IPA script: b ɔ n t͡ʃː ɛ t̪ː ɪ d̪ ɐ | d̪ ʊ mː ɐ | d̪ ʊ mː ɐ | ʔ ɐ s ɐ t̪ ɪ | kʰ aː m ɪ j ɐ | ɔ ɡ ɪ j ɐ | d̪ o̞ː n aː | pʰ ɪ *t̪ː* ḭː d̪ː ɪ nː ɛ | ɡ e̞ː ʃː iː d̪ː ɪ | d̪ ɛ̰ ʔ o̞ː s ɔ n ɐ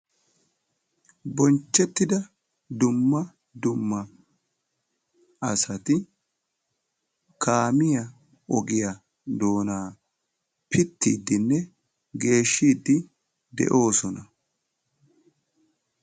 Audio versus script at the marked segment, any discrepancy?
no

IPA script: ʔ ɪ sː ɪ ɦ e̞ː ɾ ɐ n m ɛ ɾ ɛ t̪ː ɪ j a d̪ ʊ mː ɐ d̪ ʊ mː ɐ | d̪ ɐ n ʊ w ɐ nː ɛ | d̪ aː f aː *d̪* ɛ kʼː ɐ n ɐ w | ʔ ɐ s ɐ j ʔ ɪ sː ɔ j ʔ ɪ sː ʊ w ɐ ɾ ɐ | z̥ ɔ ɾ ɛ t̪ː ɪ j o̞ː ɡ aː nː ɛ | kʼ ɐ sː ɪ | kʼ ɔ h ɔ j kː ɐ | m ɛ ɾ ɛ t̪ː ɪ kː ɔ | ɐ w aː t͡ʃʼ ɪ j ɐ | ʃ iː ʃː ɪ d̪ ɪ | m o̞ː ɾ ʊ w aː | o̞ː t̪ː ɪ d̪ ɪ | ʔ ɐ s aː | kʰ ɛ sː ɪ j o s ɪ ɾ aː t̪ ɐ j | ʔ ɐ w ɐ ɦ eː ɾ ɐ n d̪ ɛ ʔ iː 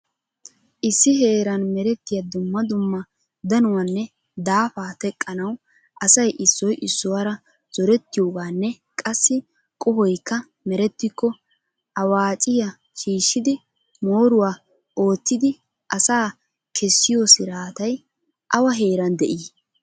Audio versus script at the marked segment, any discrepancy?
yes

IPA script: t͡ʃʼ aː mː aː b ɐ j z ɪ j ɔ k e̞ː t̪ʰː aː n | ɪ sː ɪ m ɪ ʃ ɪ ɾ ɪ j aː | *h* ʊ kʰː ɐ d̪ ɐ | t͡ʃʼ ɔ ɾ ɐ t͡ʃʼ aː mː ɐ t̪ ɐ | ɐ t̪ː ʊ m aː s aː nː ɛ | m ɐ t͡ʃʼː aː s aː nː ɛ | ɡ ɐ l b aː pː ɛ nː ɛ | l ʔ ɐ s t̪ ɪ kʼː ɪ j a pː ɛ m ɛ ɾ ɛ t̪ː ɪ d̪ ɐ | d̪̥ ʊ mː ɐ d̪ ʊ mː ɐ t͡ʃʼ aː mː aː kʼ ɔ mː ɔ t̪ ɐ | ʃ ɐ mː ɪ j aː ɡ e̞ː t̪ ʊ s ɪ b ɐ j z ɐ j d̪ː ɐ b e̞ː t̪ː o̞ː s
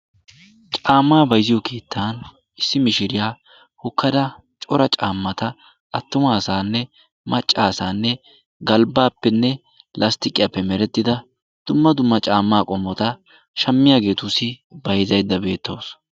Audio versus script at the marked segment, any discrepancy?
no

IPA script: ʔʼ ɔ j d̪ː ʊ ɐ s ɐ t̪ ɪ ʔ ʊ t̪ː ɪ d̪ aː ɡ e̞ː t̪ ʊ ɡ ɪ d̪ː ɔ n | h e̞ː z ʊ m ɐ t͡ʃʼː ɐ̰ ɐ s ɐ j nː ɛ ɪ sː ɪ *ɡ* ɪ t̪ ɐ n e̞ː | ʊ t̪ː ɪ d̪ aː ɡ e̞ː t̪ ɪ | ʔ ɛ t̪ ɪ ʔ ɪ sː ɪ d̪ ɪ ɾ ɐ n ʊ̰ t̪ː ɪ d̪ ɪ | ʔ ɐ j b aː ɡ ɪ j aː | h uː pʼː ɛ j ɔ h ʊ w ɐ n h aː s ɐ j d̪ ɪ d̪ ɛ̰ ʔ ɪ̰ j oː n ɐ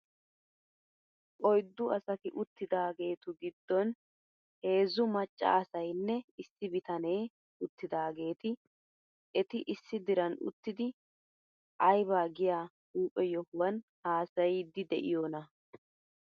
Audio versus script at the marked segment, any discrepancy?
yes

